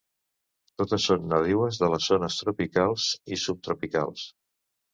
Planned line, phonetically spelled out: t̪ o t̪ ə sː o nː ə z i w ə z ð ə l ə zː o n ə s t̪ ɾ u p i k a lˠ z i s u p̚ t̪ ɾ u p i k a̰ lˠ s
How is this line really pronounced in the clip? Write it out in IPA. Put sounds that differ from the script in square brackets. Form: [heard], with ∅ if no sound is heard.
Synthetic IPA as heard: t̪ o t̪ ə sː o nː ə [ð] i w ə z ð ə l ə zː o n ə s t̪ ɾ u p i k a lˠ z i s u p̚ t̪ ɾ u p i k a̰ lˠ s